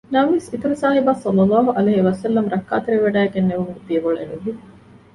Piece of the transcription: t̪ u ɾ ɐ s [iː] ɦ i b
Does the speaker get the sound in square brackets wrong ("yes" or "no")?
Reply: yes